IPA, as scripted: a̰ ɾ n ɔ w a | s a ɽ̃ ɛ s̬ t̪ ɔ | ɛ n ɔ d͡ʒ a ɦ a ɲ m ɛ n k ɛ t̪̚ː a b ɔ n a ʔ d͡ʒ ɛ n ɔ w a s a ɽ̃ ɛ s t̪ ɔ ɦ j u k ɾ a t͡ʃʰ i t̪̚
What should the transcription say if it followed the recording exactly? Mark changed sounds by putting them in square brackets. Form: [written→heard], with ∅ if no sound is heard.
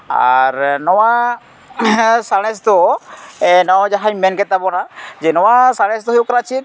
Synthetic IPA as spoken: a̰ ɾ n ɔ w a | s a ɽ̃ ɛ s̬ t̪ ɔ | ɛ n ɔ d͡ʒ a ɦ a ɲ m ɛ n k ɛ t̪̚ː a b ɔ n a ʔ d͡ʒ ɛ n ɔ w a s a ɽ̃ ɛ s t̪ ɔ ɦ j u k ɾ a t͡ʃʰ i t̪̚